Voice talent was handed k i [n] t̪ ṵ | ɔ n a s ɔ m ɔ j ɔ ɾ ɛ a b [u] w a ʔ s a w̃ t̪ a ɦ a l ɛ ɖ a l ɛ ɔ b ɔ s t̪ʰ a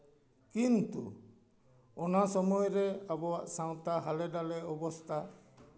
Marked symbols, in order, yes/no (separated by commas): yes, no